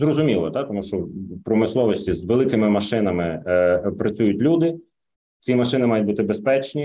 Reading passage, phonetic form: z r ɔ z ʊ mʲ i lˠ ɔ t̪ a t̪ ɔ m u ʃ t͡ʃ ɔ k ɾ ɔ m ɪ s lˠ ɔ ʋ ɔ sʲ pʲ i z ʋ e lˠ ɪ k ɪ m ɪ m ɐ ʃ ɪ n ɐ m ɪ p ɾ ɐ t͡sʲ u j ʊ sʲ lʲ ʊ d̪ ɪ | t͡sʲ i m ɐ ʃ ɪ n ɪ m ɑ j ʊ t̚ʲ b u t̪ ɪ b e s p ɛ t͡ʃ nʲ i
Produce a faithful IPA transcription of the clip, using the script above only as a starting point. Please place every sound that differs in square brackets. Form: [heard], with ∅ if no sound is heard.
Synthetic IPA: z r ɔ z ʊ mʲ i lˠ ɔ t̪ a t̪ ɔ m u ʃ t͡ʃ ɔ [p] ɾ ɔ m ɪ s lˠ ɔ ʋ ɔ sʲ [tʲ] i z ʋ e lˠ ɪ k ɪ m ɪ m ɐ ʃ ɪ n ɐ m ɪ p ɾ ɐ t͡sʲ u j ʊ [tʲ] lʲ [u] d̪ ɪ | t͡sʲ i m ɐ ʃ ɪ n ɪ m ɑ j ʊ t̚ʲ b u t̪ ɪ b e s p ɛ t͡ʃ nʲ i